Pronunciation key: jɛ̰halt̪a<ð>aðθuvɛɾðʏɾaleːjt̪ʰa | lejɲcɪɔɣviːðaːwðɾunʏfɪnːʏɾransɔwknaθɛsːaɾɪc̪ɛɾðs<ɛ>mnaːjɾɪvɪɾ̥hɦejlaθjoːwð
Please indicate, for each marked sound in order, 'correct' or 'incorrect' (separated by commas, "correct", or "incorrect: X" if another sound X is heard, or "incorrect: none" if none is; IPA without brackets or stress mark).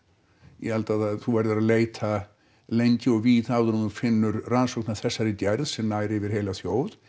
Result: correct, correct